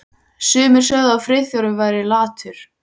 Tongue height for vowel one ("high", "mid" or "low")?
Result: high